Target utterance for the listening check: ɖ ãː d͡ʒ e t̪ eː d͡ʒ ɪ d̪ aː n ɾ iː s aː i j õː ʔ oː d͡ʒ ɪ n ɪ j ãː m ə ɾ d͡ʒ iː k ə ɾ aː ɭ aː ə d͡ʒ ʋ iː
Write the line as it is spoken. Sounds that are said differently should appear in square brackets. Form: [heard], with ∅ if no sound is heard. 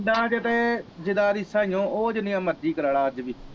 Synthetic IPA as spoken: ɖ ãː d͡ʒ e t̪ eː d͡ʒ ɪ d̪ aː [∅] ɾ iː s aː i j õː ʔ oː d͡ʒ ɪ n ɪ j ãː m ə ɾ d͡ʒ iː k ə ɾ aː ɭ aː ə d͡ʒ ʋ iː

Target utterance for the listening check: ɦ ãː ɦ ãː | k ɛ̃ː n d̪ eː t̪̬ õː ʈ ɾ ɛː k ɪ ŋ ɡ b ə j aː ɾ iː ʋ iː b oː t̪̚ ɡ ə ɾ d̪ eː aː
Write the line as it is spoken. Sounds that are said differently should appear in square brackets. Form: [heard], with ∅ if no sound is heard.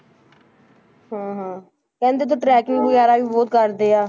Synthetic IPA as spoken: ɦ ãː ɦ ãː | k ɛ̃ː n d̪ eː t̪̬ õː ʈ ɾ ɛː k ɪ ŋ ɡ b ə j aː ɾ [aː] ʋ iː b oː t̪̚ [k] ə ɾ d̪ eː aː

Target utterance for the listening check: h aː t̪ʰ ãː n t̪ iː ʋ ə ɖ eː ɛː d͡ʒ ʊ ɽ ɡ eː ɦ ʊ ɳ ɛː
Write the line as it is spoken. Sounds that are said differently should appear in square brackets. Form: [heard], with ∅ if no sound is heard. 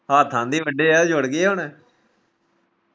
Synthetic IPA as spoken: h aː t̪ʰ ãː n [d̪] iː ʋ ə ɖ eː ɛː d͡ʒ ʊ ɽ ɡ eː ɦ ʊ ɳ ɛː

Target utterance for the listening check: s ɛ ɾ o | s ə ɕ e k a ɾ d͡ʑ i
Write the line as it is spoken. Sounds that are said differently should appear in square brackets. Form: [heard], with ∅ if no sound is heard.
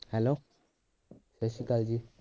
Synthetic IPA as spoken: [h] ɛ [l] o | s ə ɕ [i] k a [l] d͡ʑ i

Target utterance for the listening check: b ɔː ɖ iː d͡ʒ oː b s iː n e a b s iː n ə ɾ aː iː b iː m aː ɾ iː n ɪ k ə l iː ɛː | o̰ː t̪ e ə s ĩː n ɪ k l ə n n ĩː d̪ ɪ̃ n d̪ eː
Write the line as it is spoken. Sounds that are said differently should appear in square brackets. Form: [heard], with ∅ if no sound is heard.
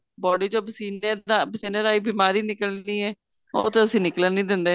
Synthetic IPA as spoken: b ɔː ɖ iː d͡ʒ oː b s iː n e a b s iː n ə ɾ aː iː b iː m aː ɾ iː n ɪ k ə l iː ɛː | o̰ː t̪ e ə s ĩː n ɪ k l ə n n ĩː d̪ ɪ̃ n d̪ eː

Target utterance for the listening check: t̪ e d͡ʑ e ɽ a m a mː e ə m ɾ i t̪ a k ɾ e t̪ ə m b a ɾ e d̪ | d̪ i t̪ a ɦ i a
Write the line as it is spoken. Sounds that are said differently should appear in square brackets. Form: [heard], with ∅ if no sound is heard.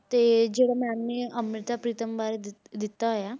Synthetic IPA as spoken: t̪ e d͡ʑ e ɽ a m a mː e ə m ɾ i t̪ a [p] ɾ [i] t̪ ə m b a ɾ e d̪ | d̪ i t̪ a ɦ [j] a

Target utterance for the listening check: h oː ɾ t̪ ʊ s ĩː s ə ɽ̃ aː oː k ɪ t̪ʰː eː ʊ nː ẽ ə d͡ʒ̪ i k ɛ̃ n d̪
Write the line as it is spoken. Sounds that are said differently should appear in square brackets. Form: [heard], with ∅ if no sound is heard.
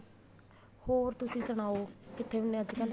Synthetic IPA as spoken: h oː ɾ t̪ ʊ s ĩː s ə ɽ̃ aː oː k ɪ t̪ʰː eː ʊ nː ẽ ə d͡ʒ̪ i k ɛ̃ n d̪

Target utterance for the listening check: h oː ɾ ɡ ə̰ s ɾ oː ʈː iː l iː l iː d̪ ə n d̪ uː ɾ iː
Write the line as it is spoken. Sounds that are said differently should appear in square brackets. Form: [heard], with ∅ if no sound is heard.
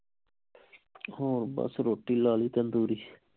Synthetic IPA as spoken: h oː ɾ [b] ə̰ s ɾ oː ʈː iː l [aː] l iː [t̪] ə n d̪ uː ɾ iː

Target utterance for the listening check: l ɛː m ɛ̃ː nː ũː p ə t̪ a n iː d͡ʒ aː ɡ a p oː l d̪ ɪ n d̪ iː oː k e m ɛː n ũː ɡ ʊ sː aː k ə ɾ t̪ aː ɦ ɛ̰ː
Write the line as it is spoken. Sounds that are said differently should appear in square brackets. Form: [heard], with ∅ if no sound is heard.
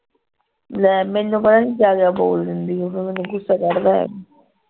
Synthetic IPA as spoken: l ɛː m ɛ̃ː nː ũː p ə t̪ a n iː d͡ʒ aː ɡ a [b] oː l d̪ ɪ n d̪ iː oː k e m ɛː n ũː ɡ ʊ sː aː k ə ɾ [d̪] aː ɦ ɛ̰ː

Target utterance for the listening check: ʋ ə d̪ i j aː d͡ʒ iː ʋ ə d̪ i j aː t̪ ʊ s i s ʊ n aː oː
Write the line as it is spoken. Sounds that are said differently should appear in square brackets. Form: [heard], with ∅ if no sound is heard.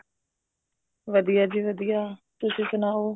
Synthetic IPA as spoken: ʋ ə d̪ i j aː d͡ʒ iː ʋ ə d̪ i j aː t̪ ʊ s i s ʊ n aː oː

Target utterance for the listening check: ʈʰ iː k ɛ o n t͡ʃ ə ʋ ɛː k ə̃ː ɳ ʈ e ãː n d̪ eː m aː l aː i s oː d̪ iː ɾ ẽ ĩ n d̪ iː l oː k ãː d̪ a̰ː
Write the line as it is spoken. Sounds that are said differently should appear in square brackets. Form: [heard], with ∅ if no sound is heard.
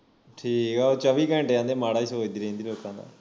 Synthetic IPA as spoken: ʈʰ iː k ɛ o [∅] t͡ʃ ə ʋ [iː] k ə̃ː ɳ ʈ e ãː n d̪ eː m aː [ɽ] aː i s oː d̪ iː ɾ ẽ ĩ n d̪ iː l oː k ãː d̪ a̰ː

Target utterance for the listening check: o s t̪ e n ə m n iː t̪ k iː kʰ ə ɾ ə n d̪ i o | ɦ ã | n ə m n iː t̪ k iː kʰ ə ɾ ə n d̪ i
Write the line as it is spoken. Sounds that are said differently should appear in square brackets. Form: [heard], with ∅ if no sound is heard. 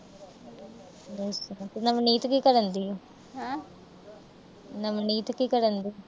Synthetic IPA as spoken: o s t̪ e n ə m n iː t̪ k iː [k] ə ɾ ə n d̪ i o | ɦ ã | n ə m n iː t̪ k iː [k] ə ɾ ə n d̪ i

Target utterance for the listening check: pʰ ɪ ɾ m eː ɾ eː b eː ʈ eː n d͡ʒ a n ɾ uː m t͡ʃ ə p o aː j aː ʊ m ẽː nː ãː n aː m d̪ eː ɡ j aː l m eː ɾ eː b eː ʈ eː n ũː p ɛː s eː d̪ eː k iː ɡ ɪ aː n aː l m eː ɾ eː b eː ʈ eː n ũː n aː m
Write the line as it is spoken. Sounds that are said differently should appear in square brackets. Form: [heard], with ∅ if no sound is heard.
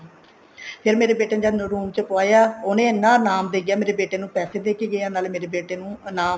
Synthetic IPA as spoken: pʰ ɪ ɾ m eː ɾ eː b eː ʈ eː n d͡ʒ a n ɾ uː m t͡ʃ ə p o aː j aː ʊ [n] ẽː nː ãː n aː m d̪ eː ɡ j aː [∅] m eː ɾ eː b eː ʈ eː n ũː p ɛː s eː d̪ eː k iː ɡ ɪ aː n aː l m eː ɾ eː b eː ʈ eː n ũː n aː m

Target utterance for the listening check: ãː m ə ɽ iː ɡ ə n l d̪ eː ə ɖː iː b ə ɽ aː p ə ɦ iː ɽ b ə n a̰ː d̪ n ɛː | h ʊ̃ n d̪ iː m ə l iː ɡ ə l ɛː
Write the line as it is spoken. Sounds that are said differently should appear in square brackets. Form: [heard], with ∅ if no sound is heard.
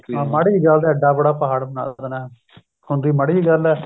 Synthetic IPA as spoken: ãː m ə ɽ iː ɡ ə [∅] l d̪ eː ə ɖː [aː] b ə ɽ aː p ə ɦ [aː] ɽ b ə n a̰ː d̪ n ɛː | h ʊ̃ n d̪ iː m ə [ɽ] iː ɡ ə l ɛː

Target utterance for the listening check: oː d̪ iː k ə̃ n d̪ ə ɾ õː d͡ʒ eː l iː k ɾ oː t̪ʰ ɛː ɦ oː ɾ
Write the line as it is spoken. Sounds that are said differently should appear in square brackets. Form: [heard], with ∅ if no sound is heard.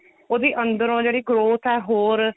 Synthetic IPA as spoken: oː d̪ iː [ʔ] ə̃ n d̪ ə ɾ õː d͡ʒ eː [ɽ] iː [ɡ] ɾ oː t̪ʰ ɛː ɦ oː ɾ

